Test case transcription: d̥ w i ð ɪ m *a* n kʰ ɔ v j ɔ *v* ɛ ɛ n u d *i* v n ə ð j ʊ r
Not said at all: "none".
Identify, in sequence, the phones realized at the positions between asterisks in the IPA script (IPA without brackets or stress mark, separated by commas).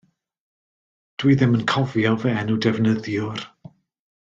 ə, v, ɛ